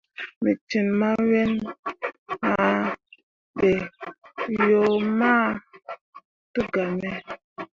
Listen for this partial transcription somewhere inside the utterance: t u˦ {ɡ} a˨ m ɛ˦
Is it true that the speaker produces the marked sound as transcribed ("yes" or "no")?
yes